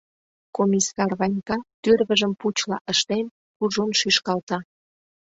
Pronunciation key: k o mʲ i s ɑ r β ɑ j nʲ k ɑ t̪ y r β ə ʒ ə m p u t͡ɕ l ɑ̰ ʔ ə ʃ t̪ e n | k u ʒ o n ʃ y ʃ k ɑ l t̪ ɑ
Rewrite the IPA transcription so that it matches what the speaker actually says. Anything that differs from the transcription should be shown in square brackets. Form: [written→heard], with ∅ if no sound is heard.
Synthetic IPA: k o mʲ i s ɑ r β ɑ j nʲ k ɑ t̪ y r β ə ʒ ə m p u t͡ɕ l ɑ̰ ʔ ə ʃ t̪ e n | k u ʒ o n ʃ y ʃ k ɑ l t̪ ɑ